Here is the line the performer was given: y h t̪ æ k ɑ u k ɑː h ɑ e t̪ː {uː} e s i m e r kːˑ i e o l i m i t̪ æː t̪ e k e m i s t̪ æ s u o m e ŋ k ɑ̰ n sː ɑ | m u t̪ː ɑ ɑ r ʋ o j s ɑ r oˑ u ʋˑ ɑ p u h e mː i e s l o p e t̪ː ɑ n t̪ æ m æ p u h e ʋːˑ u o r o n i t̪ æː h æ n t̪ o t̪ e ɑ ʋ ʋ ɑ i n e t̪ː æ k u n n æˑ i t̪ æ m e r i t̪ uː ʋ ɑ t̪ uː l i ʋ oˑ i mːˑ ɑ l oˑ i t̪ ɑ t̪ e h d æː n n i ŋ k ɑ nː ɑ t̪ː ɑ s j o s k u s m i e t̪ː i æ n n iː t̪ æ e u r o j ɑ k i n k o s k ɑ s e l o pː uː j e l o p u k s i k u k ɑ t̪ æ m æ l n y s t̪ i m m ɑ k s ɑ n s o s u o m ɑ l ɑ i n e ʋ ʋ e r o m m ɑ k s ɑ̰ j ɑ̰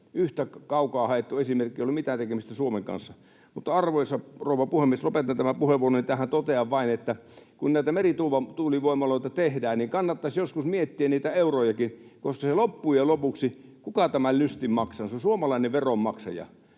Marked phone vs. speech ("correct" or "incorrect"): incorrect